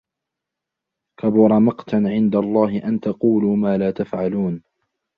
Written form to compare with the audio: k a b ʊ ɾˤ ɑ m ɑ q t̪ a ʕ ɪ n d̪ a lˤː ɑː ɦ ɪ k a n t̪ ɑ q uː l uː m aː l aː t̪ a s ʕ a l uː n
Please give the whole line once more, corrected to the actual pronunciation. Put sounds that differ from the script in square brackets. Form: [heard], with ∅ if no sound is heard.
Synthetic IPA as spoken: k a b ʊ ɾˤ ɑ m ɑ q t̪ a ʕ ɪ n d̪ a lˤː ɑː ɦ ɪ [ʔ] a n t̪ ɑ q uː l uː m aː l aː t̪ a [f] ʕ a l uː n